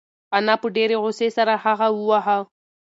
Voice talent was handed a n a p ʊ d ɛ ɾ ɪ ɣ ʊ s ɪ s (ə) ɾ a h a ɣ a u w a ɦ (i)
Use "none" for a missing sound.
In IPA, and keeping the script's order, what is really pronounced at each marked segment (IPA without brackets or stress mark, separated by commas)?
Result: a, a